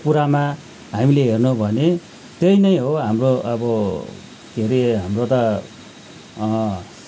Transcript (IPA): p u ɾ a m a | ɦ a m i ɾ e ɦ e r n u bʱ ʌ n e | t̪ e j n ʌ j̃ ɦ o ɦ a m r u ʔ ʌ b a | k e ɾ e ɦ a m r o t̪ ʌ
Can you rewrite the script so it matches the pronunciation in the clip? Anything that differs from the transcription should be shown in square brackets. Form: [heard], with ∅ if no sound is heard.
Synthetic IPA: p u ɾ a m a | ɦ a m i [l] e ɦ e r n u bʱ ʌ n e | t̪ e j n ʌ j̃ ɦ o ɦ a m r [o] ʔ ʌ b [ʌ] | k e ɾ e ɦ a m r o t̪ ʌ